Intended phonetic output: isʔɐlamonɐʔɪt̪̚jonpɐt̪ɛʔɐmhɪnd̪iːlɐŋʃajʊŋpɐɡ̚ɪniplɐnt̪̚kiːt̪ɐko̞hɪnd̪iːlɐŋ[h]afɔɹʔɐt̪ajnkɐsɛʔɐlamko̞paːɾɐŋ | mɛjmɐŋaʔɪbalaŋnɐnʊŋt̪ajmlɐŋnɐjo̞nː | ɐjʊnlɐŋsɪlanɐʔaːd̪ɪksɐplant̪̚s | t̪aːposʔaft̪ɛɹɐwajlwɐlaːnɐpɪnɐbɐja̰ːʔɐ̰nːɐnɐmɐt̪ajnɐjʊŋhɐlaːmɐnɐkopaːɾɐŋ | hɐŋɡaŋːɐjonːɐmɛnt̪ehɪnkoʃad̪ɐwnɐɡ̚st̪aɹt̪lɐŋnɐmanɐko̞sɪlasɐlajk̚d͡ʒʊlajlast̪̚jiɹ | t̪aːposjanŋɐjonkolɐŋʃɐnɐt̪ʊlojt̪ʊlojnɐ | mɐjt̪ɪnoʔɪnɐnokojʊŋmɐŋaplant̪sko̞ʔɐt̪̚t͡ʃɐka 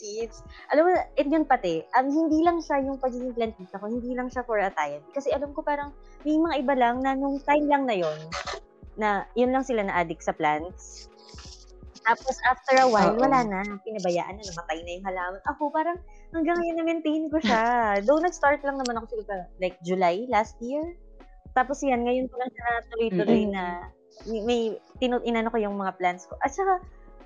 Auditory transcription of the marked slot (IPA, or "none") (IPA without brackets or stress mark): ʃ